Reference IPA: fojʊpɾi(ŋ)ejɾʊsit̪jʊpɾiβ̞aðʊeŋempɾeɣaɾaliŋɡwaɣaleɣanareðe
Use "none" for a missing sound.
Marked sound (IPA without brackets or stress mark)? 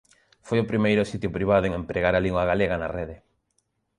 m